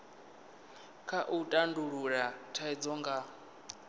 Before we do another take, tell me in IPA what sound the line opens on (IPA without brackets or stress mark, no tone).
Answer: kʰ